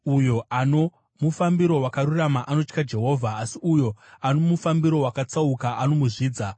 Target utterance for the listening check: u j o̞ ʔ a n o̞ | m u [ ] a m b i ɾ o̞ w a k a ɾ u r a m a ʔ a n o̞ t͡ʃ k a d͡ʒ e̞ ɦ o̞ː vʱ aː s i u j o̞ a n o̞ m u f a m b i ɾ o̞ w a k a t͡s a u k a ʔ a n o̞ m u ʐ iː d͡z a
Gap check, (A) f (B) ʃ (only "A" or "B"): A